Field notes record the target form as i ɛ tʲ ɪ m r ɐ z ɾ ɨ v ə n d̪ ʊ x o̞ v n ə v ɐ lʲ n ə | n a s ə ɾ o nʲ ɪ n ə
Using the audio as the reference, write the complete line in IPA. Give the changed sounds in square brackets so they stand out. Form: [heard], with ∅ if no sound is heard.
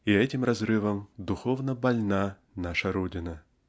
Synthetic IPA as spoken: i ɛ tʲ ɪ m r ɐ z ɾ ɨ v ə [m] d̪ ʊ x o̞ v n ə [b] ɐ lʲ n [a] | n a [ʂ] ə ɾ o [dʲ] ɪ n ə